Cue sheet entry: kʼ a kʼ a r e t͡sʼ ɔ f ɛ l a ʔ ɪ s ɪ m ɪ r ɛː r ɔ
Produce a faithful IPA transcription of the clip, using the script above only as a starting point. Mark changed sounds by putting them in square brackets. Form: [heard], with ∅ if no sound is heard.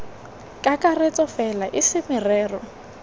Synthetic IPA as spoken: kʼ a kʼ a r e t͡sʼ ɔ f ɛ l a ʔ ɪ s ɪ m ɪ r ɛː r ɔ

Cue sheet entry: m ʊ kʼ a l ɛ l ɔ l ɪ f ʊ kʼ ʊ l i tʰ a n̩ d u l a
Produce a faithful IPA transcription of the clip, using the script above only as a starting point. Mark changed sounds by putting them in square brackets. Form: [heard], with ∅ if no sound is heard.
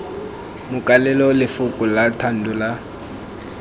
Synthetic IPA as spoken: m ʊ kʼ a l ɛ l ɔ l ɪ f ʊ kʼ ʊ l [a] tʰ a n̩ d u l a

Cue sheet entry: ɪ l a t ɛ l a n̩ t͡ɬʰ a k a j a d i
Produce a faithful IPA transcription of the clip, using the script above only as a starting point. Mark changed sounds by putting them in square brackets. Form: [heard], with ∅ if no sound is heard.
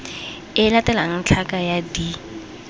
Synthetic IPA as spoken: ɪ l a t ɛ l a [ŋ̩] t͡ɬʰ a k a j a d i

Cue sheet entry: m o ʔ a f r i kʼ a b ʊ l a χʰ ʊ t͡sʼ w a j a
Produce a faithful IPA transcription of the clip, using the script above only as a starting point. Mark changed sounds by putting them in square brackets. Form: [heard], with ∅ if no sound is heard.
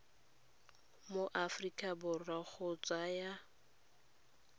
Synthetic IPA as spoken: m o ʔ a f r i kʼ a b ʊ [r] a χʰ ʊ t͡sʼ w a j a

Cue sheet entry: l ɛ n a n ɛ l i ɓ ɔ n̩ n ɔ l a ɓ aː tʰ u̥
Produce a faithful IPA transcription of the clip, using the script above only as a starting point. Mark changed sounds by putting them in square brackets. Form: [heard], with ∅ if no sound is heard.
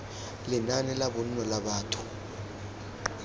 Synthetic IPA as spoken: l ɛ n a n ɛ l [a] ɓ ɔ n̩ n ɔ l a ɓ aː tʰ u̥

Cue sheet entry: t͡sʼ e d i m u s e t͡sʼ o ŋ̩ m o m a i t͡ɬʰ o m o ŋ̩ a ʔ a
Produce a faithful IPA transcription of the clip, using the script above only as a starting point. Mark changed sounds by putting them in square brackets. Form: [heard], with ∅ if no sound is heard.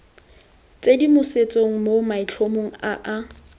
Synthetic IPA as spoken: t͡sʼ e d i m [ʊ] s e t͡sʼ o ŋ̩ m o m a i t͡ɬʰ o m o ŋ̩ a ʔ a

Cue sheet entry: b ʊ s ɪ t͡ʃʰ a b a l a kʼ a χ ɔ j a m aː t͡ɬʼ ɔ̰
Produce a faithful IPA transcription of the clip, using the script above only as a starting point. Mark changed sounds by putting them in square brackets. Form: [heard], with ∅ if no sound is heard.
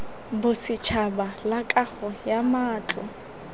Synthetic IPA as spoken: b ʊ s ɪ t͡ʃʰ a b a l a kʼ a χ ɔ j a m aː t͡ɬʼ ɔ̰

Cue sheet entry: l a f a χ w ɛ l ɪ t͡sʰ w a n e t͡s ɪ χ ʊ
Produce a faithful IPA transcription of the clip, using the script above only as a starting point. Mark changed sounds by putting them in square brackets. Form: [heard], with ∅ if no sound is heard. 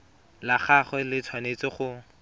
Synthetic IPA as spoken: l a [χ] a χ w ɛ l ɪ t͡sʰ w a n e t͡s ɪ χ ʊ

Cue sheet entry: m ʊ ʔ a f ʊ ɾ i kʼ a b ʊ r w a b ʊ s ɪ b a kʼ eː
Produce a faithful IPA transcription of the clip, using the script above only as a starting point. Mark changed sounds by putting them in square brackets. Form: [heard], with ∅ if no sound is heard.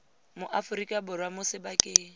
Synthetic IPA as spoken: m ʊ ʔ a f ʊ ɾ i kʼ a b ʊ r w a [m] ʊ s ɪ b a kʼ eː

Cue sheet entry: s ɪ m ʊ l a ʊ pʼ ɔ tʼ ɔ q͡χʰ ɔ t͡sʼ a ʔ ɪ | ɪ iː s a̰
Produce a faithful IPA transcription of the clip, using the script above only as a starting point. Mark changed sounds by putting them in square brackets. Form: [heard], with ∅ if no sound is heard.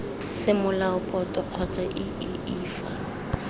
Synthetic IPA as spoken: s ɪ m ʊ l a ʊ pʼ ɔ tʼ ɔ q͡χʰ ɔ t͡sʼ a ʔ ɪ | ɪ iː [f] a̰

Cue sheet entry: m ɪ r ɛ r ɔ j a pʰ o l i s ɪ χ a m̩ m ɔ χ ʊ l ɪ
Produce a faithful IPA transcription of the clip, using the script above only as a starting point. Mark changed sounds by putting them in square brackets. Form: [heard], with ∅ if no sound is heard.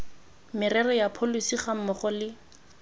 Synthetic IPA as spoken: m ɪ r ɛ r ɔ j a pʰ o l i s [i] χ a m̩ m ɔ χ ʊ l ɪ

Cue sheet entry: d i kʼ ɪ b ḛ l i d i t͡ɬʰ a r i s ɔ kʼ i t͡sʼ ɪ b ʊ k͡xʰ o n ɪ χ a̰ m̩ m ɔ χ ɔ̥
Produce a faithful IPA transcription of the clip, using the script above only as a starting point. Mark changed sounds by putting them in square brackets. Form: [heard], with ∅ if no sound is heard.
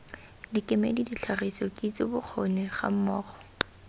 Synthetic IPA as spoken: d i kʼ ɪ [m] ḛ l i d i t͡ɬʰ a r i s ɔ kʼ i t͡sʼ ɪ b ʊ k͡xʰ o n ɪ χ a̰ m̩ m [ɔː] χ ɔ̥

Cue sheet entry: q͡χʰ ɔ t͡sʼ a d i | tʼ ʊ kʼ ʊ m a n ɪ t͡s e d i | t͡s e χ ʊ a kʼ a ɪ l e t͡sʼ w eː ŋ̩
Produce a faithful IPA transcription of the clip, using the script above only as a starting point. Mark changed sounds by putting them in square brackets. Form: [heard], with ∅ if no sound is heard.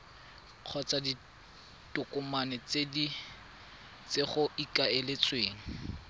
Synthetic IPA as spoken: q͡χʰ ɔ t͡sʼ a d i | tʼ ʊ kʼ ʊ m a n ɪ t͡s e d i | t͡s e χ ʊ [i] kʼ a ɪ l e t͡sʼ w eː ŋ̩

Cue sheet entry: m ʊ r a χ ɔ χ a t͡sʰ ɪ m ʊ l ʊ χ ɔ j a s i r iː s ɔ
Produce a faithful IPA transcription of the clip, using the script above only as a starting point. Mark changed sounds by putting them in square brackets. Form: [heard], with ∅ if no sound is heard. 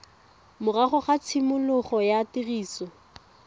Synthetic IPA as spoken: m ʊ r a χ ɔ χ a t͡sʰ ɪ m ʊ l ʊ χ ɔ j a [t] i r iː s ɔ

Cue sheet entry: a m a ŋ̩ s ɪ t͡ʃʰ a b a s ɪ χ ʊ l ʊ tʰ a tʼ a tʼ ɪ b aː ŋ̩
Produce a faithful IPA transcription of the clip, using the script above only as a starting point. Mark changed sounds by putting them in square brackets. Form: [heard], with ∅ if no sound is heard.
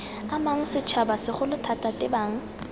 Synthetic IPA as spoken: a m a ŋ̩ s ɪ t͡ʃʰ a b a s ɪ χ ʊ l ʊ tʰ a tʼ a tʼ ɪ b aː ŋ̩

